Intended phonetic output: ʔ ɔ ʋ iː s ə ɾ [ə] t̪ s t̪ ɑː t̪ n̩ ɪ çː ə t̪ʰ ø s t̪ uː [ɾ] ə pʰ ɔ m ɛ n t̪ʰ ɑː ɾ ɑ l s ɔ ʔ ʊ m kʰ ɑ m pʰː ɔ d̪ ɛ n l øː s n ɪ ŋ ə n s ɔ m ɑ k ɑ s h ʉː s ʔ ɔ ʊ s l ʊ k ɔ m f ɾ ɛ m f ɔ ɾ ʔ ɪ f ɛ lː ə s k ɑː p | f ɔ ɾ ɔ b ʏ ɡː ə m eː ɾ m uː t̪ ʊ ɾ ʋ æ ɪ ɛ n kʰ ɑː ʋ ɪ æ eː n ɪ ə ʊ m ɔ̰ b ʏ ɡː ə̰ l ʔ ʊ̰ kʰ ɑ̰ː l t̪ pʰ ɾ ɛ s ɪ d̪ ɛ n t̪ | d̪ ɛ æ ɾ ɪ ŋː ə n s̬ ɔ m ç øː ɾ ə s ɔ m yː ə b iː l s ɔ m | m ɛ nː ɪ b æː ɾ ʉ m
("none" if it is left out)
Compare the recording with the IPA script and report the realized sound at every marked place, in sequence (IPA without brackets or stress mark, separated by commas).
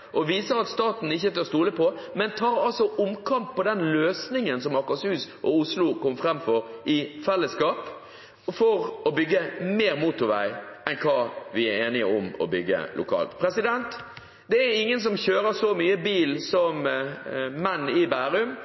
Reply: ɑ, l